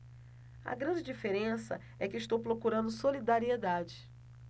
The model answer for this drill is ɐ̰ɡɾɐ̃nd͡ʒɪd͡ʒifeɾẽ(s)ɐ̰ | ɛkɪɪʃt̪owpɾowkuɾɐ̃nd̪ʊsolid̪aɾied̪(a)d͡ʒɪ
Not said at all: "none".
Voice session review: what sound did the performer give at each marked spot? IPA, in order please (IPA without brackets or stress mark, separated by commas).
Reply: s, a